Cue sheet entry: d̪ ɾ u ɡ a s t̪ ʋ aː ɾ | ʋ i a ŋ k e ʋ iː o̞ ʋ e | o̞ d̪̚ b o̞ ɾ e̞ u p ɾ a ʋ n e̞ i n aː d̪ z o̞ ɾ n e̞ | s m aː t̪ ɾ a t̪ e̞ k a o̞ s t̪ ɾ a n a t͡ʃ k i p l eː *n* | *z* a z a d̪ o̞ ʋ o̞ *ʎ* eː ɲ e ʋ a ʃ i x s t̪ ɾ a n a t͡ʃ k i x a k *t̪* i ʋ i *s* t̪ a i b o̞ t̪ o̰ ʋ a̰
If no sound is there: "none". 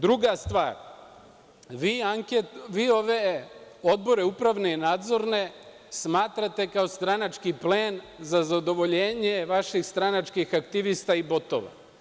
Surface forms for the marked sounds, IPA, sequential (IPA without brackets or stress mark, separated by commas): n, z, ʎ, t̪, s